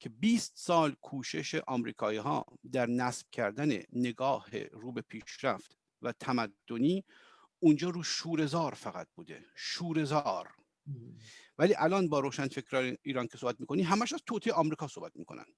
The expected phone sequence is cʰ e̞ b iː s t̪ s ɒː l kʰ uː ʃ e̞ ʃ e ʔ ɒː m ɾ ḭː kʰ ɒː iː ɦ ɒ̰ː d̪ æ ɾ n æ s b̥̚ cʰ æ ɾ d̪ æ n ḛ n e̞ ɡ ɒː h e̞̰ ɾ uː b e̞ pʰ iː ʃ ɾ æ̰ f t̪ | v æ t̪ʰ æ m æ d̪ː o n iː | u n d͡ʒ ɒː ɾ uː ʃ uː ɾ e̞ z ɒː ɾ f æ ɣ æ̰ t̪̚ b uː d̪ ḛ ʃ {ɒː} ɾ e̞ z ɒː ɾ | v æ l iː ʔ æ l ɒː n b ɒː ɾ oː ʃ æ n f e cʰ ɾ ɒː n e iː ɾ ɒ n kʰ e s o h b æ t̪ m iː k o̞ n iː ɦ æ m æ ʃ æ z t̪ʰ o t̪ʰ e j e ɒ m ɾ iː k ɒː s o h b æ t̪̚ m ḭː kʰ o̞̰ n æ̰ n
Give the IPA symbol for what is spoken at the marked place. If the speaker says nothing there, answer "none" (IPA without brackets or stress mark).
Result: uː